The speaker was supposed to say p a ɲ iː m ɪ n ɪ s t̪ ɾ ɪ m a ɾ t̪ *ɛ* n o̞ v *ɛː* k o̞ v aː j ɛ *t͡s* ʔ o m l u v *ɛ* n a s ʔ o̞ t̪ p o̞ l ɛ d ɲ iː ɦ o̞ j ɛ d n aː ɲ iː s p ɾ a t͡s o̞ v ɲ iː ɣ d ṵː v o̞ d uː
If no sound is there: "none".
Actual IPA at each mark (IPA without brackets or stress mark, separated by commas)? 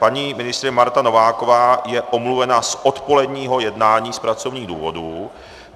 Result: a, aː, none, ɛ